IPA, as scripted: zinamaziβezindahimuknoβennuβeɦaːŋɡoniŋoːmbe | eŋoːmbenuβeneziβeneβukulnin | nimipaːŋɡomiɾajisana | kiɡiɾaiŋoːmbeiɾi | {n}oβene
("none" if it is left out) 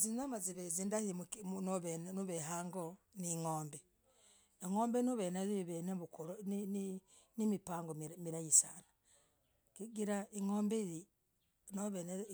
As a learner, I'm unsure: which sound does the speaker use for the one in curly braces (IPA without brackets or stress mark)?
n